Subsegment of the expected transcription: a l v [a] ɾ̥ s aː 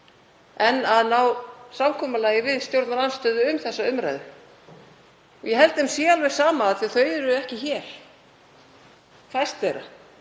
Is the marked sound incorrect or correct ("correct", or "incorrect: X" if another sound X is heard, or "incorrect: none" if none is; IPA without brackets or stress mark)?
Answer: incorrect: ɛ